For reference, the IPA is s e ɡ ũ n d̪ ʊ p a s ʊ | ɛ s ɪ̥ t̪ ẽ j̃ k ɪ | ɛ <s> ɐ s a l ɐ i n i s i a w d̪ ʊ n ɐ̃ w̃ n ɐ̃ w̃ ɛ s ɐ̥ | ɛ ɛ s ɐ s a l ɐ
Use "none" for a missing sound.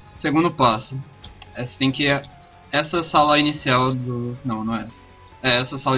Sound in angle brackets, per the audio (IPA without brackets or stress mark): s